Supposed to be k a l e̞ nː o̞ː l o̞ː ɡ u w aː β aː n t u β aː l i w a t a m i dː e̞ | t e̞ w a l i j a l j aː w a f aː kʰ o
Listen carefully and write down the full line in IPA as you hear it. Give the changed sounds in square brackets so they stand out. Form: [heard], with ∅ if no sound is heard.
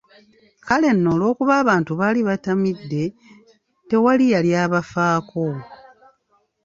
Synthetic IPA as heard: k a l e̞ nː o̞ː l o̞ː [k] u [β] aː β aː n t u β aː l i [β] a t a m i dː e̞ | t e̞ w a l i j a l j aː [β] a f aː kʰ o